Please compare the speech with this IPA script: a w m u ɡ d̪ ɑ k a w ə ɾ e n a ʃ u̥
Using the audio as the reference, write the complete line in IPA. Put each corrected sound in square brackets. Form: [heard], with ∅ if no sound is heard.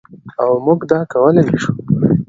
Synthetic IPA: a w m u ɡ d̪ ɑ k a w ə [l] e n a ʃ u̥